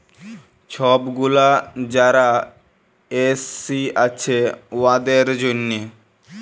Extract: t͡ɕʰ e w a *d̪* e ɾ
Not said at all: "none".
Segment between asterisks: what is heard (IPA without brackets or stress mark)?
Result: d̪